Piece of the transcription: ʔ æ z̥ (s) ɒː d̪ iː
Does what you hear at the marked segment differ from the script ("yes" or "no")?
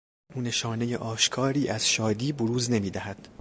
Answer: yes